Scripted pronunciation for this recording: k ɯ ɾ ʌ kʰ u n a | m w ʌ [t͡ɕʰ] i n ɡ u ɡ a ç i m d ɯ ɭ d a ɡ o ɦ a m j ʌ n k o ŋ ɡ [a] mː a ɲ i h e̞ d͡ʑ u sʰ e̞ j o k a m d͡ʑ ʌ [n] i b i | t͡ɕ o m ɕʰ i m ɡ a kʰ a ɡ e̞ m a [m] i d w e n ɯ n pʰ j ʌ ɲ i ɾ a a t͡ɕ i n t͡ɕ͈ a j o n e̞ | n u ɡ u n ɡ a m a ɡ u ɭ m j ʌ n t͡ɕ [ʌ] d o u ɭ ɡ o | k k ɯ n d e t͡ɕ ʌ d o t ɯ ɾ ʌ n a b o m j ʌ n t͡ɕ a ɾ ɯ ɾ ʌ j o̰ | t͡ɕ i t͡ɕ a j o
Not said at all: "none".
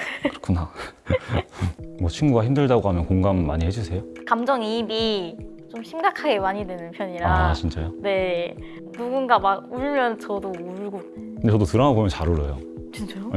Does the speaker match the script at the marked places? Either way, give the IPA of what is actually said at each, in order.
t͡ɕʰ, a, ŋ, ɲ, ʌ

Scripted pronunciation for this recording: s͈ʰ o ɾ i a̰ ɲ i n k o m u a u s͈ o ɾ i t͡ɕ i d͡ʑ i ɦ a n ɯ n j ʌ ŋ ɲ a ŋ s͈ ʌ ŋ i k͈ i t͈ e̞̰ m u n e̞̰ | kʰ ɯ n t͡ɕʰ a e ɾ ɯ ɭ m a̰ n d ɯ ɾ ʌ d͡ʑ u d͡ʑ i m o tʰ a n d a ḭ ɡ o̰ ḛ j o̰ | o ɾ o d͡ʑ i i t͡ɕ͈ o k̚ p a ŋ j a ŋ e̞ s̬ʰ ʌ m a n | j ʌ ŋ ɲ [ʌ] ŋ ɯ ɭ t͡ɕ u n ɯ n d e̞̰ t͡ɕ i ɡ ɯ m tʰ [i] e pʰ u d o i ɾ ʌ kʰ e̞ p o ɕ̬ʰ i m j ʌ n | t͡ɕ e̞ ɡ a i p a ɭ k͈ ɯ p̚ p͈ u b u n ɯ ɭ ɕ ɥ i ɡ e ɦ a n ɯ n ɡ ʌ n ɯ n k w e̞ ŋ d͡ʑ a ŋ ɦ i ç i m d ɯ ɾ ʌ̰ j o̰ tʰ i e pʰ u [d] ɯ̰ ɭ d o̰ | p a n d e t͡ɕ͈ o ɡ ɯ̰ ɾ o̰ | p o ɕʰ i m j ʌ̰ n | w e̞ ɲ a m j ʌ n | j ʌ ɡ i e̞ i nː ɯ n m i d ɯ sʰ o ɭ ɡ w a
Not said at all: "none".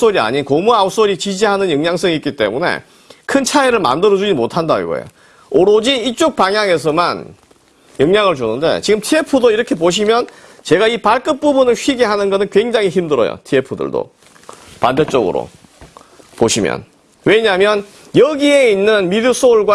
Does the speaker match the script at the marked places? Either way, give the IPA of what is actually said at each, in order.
a, i, d

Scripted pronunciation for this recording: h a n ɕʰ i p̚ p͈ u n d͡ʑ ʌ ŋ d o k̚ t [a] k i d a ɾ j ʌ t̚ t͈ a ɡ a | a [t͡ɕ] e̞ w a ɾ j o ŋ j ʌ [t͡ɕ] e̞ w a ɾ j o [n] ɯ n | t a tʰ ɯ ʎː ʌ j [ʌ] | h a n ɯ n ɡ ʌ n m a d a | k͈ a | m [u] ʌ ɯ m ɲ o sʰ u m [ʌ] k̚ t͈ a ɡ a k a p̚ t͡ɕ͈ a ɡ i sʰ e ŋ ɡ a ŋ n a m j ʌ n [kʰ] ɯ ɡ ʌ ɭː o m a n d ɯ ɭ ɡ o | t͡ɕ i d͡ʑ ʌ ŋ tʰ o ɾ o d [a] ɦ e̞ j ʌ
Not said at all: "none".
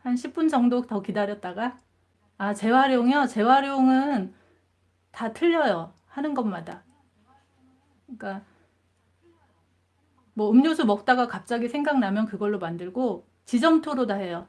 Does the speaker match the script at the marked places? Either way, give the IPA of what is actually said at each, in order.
ʌ, t͡ɕ, t͡ɕ, ŋ, ʌ, w, ʌ, k, a

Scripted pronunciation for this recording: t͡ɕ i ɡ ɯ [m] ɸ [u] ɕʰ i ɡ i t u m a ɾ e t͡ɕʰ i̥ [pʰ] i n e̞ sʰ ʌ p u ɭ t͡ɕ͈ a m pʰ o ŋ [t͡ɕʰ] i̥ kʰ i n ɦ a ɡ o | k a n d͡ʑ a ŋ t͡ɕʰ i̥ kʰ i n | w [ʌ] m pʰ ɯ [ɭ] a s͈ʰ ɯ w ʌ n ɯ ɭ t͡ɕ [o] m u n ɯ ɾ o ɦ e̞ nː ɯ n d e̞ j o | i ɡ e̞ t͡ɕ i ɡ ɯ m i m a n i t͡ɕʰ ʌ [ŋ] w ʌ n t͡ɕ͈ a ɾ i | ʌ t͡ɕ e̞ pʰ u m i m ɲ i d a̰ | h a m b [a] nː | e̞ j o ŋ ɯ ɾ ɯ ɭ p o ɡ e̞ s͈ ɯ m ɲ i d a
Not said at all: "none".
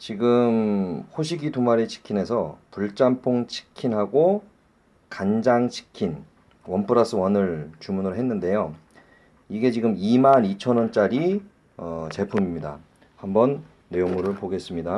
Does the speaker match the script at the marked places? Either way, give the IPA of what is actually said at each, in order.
m, o, kʰ, t͡ɕʰ, ʌ, ɾ, u, n, ʌ

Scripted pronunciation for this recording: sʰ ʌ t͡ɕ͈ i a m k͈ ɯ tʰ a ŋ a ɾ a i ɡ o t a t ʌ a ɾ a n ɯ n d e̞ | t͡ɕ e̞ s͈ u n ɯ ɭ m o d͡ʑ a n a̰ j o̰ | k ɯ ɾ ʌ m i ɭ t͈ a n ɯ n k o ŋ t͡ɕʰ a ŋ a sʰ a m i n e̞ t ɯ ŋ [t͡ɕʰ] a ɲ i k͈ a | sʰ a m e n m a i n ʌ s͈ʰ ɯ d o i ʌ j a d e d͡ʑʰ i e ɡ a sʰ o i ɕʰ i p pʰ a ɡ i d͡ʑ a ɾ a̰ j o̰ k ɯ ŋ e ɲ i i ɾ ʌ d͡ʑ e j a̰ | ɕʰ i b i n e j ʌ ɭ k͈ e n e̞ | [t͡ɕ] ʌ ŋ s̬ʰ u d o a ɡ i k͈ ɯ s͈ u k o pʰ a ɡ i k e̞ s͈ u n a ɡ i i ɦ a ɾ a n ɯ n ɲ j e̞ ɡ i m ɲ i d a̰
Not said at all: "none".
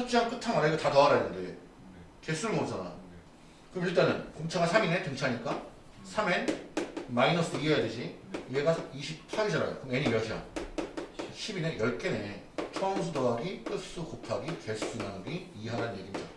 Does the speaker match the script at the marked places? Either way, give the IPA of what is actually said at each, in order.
t͡ɕʰ, t͡ɕʰ

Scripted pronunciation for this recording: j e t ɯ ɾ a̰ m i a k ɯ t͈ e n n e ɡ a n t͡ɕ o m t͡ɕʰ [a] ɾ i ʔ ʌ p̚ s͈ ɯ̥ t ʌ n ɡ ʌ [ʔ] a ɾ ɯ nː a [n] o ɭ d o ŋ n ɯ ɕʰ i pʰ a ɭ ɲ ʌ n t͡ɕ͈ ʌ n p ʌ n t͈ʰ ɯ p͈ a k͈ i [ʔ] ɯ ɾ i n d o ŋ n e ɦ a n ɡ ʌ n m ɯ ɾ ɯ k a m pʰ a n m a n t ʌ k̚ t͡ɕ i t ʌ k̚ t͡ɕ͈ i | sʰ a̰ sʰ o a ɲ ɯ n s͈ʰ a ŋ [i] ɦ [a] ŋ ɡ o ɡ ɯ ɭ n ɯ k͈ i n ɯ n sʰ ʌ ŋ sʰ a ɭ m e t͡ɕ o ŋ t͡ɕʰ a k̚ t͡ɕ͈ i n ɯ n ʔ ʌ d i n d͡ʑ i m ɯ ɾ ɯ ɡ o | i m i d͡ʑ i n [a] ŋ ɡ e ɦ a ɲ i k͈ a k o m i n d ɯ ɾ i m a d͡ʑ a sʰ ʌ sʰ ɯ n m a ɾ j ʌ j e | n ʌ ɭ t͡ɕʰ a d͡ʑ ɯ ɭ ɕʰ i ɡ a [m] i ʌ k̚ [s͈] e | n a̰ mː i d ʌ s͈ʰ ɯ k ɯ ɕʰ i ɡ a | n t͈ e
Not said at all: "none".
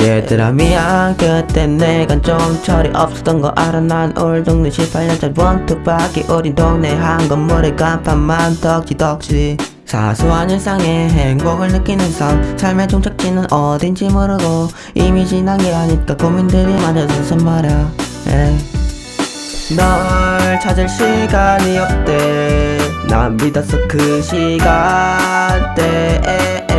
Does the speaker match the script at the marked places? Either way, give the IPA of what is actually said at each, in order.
ʌ, ʔ, n, ʔ, e, e, a, ɲ, t͈

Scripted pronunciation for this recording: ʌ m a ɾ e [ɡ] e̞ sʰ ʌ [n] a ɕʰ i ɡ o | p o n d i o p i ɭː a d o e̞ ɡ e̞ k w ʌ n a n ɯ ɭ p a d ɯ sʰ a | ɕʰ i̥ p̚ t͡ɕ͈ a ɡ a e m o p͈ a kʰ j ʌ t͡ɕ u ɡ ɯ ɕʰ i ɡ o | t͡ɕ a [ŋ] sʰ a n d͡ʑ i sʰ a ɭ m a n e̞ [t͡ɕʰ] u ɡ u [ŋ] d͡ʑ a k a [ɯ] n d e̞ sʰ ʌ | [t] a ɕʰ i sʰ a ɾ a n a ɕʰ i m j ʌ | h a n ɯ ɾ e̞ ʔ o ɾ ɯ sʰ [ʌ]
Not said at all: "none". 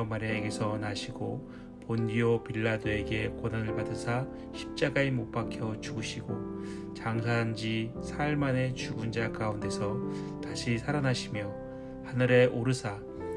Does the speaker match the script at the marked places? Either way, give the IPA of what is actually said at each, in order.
ɡ, n, ŋ, t͡ɕ, n, u, t, a

